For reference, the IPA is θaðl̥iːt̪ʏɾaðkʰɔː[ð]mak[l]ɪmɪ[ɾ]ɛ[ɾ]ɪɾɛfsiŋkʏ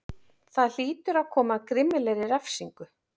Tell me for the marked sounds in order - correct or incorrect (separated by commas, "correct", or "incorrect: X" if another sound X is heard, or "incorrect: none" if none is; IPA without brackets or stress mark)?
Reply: incorrect: none, incorrect: ɾ, incorrect: l, correct